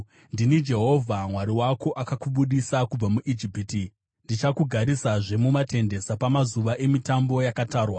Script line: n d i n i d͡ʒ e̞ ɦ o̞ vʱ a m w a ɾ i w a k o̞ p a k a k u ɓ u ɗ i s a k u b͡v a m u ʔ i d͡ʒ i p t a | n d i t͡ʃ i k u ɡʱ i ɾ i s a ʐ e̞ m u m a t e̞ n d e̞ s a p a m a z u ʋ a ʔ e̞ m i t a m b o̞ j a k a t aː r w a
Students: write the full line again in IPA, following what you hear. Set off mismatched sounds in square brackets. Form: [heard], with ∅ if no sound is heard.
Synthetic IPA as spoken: n d i n i d͡ʒ e̞ ɦ o̞ vʱ a m w a ɾ i w a k o̞ [ʔ] a k a k u ɓ u ɗ i s a k u b͡v a m u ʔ i d͡ʒ i p t [i] | n d i t͡ʃ [a] k u ɡʱ [a] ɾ i s a ʐ e̞ m u m a t e̞ n d e̞ s a p a m a z u ʋ a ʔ e̞ m i t a m b o̞ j a k a t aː r w a

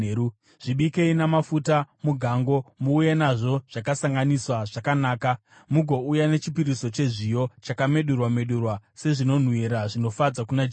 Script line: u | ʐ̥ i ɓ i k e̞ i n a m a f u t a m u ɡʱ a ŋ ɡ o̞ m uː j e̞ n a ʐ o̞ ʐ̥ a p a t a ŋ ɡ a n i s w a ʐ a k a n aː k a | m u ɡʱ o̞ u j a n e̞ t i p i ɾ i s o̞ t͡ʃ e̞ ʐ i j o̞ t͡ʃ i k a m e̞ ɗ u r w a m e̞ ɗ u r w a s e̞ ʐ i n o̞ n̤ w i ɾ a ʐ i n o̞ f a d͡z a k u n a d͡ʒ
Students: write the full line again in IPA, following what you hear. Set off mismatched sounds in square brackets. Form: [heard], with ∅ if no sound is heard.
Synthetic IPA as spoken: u | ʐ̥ i ɓ i k e̞ i n a m a f u t a m u ɡʱ a ŋ ɡ o̞ m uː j e̞ n a ʐ o̞ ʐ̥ a [k] a [s] a ŋ ɡ a n i s w a ʐ a k a n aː k a | m u ɡʱ o̞ u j a n e̞ [t͡ʃ] i p i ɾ i s o̞ t͡ʃ e̞ ʐ i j o̞ t͡ʃ [a] k a m e̞ ɗ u r w a m e̞ ɗ u r w a s e̞ ʐ i n o̞ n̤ w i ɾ a ʐ i n o̞ f a d͡z a k u n a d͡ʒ

